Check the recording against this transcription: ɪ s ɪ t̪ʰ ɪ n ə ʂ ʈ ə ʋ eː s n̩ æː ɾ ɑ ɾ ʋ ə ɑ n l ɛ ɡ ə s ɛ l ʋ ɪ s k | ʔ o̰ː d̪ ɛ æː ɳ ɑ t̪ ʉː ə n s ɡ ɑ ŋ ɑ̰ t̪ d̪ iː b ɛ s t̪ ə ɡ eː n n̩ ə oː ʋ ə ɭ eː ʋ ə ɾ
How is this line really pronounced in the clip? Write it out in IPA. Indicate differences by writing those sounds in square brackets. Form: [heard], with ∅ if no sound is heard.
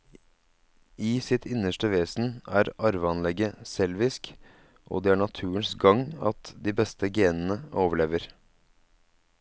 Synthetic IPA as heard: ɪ s ɪ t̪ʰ ɪ n ə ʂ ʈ ə ʋ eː s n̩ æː ɾ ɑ ɾ ʋ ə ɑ n l ɛ ɡ ə s ɛ l ʋ ɪ s k | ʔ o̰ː d̪ ɛ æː ɳ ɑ [t̪ʰ] ʉː ə n s ɡ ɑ ŋ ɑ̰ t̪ d̪ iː b ɛ s t̪ ə ɡ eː n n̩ ə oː ʋ ə ɭ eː ʋ ə ɾ

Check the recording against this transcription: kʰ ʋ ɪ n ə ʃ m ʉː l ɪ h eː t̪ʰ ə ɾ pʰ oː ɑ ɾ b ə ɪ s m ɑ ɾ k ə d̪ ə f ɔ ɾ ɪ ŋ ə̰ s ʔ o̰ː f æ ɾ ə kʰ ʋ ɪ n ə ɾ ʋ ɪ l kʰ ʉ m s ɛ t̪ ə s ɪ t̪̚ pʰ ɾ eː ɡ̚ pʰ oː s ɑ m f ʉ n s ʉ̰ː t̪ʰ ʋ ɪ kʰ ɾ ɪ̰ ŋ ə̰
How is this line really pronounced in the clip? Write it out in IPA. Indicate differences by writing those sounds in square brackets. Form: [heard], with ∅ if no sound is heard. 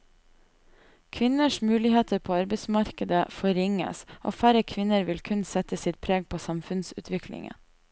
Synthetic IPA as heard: kʰ ʋ ɪ n ə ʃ m ʉː l ɪ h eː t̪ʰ ə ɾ pʰ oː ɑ ɾ b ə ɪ s m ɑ ɾ k ə d̪ ə f ɔ ɾ ɪ ŋ ə̰ s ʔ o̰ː f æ ɾ ə kʰ ʋ ɪ n ə ɾ ʋ ɪ l kʰ ʉ [n] s ɛ t̪ ə s ɪ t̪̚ pʰ ɾ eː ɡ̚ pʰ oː s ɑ m f ʉ n s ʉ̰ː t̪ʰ ʋ ɪ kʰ [l] ɪ̰ ŋ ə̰

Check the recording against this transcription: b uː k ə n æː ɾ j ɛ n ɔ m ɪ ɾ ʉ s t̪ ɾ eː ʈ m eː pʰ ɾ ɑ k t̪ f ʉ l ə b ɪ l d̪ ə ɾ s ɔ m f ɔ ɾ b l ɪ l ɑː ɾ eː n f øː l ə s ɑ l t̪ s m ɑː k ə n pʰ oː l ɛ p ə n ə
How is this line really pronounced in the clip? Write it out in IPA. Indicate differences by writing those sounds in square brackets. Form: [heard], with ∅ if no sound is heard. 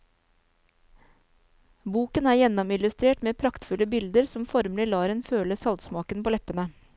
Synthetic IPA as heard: b uː k ə n æː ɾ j ɛ n ɔ m ɪ [l] ʉ s t̪ ɾ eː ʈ m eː pʰ ɾ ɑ k t̪ f ʉ l ə b ɪ l d̪ ə ɾ s ɔ m f ɔ ɾ [m] l ɪ l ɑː ɾ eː n f øː l ə s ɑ l t̪ s m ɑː k ə n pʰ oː l ɛ p ə n ə

